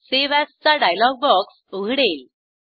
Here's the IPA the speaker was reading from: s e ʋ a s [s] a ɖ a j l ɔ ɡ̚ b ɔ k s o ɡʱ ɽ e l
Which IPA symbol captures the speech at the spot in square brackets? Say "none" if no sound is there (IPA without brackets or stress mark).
t͡s